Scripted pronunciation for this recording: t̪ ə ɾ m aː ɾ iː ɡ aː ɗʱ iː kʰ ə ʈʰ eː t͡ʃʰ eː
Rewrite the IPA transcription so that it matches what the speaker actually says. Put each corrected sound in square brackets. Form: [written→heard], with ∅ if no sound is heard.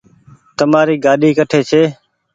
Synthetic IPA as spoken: t̪ ə [ɾ→∅] m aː ɾ iː ɡ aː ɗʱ iː [kʰ→k] ə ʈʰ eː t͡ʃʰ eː